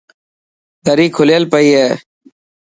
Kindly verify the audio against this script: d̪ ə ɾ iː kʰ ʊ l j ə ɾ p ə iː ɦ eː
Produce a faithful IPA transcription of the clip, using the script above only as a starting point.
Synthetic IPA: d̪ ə ɾ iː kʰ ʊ l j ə l p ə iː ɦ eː